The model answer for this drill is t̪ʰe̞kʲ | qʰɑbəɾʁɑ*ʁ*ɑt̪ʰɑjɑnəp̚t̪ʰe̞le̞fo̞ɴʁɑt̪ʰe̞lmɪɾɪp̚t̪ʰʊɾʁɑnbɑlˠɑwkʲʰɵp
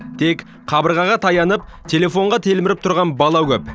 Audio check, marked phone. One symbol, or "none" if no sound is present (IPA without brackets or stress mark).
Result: ʁ